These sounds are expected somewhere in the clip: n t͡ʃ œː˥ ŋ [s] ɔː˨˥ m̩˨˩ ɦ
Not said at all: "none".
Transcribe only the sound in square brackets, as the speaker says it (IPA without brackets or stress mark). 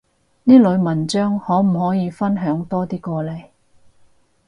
h